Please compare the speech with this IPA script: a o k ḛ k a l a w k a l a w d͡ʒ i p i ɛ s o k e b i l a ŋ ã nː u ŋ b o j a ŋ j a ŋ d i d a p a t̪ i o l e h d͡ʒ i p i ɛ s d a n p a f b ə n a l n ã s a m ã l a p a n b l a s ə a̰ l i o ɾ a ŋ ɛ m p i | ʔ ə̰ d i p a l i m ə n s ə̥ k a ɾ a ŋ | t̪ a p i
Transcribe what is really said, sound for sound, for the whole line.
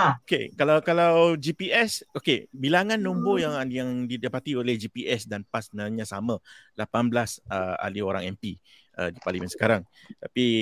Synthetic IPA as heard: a o k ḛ k a l a w k a l a w d͡ʒ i p i ɛ s o k e b i l a ŋ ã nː u m b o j a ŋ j a ŋ d i d a p a t̪ i o l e h d͡ʒ i p i ɛ s d a n p a s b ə n a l ɲ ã s a m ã l a p a n b l a s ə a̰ l i o ɾ a ŋ ɛ m p i | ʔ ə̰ d i p a l i m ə n s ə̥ k a ɾ a ŋ | t̪ a p i